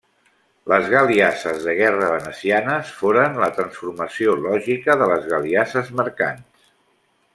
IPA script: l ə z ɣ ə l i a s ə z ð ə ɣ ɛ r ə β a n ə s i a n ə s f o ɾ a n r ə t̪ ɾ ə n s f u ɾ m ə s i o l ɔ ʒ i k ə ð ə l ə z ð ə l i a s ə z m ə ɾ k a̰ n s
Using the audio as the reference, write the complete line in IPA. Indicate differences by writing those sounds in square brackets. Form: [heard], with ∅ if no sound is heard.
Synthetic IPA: l ə z ɣ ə l i a s ə z ð ə ɣ ɛ r ə β [ə] n ə s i a n ə s f o ɾ [ə] n [l] ə t̪ ɾ ə n s f u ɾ m ə s i o l ɔ ʒ i k ə ð ə l ə z [ɣ] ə l i a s ə z m ə ɾ k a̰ n s